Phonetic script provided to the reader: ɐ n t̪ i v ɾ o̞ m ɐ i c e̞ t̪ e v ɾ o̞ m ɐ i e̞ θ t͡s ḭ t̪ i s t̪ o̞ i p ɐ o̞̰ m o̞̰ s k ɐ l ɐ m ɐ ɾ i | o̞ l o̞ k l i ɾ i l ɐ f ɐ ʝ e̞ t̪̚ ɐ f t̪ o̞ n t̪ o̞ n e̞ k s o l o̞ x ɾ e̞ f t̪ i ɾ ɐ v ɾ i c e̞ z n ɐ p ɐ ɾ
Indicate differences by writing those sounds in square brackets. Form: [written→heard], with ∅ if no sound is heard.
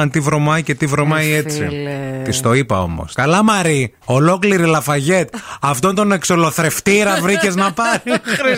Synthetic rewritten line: ɐ n t̪ i v ɾ o̞ m ɐ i c e̞ t̪ [e→i] v ɾ o̞ m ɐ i e̞ [θ→∅] t͡s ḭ t̪ i s t̪ o̞ i p ɐ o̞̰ m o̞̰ s k ɐ l ɐ m ɐ ɾ i | o̞ l o̞ k l i ɾ i l ɐ f ɐ ʝ e̞ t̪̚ ɐ f t̪ o̞ n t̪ o̞ n e̞ k s o l o̞ [x→θ] ɾ e̞ f t̪ i ɾ ɐ v ɾ i c e̞ z n ɐ p ɐ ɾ